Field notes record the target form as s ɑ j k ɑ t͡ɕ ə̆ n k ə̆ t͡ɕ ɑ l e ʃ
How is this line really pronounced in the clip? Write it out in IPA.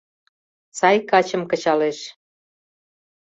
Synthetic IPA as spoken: s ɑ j k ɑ t͡ɕ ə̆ m k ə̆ t͡ɕ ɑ l e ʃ